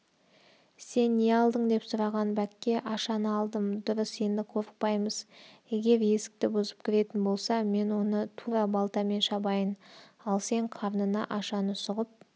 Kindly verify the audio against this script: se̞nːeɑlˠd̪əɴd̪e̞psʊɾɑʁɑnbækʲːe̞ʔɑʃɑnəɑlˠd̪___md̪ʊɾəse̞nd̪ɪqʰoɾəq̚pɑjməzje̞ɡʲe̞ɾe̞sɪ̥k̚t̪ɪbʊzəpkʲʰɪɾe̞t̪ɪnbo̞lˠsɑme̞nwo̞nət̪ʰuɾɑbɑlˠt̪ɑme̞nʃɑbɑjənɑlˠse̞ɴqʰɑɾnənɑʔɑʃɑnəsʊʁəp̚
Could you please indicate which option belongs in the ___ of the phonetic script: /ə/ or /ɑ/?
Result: ə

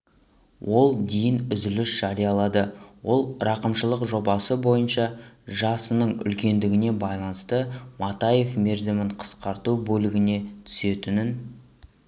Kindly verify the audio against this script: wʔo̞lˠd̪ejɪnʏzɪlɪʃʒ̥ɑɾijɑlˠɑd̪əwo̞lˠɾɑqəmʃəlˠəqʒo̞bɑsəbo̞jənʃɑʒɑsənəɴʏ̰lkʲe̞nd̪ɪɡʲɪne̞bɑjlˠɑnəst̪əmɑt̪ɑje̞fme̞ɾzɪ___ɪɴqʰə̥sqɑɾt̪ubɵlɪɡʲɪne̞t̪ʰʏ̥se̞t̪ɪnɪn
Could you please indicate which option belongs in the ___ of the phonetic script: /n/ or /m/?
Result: m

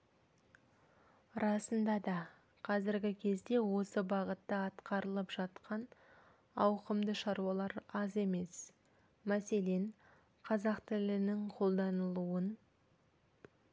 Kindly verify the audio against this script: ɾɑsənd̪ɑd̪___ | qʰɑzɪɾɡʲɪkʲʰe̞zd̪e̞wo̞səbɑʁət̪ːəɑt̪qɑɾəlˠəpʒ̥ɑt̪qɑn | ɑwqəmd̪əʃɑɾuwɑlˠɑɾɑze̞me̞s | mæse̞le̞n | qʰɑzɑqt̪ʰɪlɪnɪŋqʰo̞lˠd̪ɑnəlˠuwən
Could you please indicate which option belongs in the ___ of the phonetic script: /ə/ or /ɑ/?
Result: ɑ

